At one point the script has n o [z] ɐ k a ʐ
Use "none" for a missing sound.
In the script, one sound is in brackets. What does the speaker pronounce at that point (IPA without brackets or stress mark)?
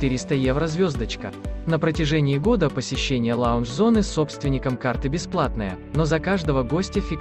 z